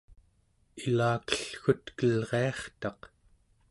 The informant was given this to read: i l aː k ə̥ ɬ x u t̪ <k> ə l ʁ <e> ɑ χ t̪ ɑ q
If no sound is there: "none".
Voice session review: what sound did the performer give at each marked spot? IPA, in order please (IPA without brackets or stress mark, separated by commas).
k, e